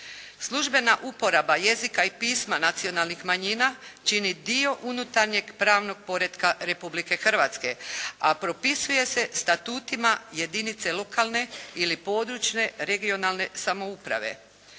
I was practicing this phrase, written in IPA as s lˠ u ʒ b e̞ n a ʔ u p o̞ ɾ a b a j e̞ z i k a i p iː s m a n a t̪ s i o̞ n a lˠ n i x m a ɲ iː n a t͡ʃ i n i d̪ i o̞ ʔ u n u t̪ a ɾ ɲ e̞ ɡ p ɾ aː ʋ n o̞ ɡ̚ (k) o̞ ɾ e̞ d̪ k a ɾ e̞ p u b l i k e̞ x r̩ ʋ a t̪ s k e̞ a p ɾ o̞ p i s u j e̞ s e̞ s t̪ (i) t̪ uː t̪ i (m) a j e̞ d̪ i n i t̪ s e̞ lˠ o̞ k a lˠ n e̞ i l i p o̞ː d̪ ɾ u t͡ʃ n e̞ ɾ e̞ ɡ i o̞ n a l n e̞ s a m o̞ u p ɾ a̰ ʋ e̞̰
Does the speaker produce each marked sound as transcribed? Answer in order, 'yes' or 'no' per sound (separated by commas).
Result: no, no, yes